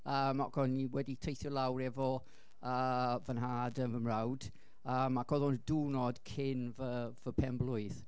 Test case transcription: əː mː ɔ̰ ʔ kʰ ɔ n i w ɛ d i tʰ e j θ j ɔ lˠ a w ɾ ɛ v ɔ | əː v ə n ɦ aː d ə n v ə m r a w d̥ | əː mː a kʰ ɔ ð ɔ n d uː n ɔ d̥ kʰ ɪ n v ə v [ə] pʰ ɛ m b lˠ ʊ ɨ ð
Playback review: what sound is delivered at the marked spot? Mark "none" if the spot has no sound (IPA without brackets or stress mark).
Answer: ə